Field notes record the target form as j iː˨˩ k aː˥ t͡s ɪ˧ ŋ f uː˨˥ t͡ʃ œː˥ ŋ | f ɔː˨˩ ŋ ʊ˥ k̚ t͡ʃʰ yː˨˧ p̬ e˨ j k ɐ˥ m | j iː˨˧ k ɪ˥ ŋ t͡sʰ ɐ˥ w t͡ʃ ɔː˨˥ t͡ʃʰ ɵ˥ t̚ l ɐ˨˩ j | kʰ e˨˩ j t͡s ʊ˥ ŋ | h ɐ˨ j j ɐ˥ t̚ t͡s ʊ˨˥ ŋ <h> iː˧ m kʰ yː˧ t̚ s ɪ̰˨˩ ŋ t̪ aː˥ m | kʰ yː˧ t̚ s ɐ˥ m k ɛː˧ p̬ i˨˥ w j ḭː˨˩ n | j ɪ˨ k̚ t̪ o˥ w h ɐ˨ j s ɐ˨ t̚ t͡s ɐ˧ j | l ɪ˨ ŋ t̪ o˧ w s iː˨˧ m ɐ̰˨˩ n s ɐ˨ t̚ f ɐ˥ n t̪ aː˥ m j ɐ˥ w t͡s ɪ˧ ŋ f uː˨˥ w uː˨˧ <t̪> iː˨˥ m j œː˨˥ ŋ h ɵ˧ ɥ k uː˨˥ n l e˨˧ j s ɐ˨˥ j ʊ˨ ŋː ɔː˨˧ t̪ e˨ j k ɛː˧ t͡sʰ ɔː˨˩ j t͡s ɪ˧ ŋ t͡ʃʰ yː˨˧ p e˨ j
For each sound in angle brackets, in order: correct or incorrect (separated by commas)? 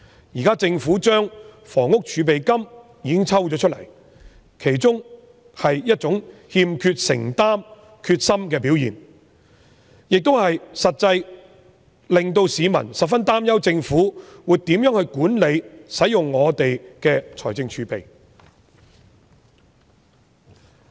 correct, correct